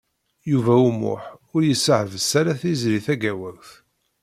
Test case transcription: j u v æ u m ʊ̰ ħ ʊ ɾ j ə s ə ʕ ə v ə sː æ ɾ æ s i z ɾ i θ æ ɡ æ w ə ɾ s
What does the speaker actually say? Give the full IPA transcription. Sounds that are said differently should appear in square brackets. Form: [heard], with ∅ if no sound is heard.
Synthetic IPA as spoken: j u v æ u m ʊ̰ ħ ʊ ɾ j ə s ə ʕ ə v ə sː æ ɾ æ [θ] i z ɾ i θ æ ɡ æ w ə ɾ [θ]